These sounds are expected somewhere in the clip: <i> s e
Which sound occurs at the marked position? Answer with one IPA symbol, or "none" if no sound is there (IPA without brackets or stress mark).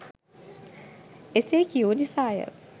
e